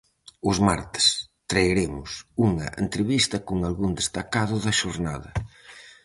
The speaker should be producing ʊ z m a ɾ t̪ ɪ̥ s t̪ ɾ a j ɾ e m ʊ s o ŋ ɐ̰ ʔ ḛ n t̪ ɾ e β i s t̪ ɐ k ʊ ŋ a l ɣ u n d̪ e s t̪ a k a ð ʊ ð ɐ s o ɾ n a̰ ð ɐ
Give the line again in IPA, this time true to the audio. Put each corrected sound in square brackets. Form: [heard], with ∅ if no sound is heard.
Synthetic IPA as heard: ʊ z m a ɾ t̪ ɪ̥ s t̪ ɾ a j ɾ e m ʊ s [u] ŋ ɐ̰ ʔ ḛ n t̪ ɾ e β i s t̪ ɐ k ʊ ŋ a l ɣ u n d̪ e s t̪ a k a ð ʊ ð ɐ [ʃ] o ɾ n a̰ ð ɐ